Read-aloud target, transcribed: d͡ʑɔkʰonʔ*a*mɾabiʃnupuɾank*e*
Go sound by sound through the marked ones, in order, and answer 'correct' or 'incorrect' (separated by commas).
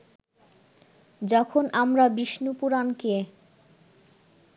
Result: correct, correct